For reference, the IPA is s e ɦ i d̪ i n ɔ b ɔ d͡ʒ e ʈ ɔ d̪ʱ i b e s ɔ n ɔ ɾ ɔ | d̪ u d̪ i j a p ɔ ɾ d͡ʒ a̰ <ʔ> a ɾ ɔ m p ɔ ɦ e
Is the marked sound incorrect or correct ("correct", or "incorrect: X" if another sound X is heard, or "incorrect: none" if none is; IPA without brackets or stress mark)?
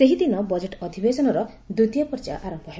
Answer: correct